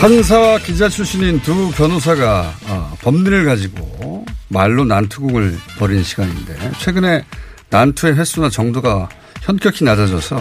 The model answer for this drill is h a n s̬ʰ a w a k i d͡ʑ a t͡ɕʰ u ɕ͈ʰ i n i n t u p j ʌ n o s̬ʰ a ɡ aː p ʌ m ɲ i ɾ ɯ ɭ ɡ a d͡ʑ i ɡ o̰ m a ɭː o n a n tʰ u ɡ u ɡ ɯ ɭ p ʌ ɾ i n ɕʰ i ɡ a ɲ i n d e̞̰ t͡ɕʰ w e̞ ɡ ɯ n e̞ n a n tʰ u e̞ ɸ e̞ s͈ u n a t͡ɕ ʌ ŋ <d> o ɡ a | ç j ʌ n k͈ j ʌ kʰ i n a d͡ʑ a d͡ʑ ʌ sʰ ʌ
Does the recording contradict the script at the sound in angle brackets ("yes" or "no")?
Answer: no